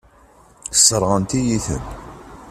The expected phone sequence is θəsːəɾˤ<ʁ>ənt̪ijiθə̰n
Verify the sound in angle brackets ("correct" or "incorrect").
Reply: correct